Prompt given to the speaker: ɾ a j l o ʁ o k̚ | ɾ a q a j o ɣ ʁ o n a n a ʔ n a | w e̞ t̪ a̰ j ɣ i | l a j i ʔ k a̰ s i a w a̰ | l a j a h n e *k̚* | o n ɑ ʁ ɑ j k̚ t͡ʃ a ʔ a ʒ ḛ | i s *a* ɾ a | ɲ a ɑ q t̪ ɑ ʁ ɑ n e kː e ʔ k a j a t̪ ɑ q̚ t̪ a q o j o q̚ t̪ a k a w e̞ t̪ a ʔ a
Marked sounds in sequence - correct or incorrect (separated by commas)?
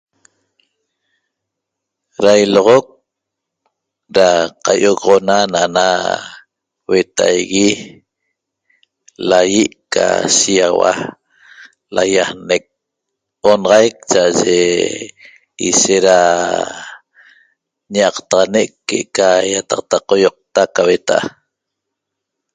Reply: correct, incorrect